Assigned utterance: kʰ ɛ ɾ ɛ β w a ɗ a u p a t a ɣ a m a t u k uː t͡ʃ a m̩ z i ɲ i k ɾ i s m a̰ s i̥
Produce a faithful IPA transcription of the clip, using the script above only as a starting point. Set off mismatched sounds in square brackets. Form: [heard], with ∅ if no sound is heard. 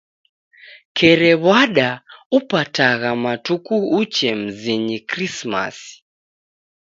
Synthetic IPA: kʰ ɛ ɾ ɛ β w a ɗ a u p a t a ɣ a m a t u k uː t͡ʃ [ɛ] m̩ z i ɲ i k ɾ i s m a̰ s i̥